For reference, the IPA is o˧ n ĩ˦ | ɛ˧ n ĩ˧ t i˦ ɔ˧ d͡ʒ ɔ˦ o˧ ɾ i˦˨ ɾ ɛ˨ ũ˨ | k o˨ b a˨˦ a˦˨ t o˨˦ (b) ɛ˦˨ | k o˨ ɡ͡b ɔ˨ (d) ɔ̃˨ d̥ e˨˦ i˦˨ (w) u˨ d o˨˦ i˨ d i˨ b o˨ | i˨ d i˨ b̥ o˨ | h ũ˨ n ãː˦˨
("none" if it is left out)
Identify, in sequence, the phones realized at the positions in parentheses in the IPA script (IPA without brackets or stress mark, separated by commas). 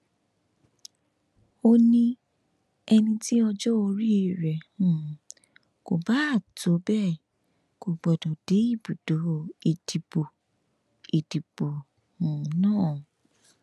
b, d, b